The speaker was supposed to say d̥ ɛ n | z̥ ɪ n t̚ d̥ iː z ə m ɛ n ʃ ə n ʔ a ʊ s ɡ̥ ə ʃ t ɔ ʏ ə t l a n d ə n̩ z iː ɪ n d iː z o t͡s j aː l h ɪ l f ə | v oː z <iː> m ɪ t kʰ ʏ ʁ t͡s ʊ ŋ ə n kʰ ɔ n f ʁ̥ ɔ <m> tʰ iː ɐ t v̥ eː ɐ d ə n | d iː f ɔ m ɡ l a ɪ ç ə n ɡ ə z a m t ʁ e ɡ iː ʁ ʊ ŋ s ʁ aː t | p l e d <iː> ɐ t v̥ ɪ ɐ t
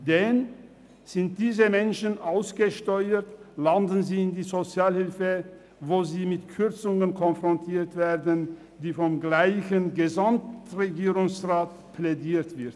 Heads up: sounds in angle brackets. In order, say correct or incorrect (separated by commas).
correct, incorrect, correct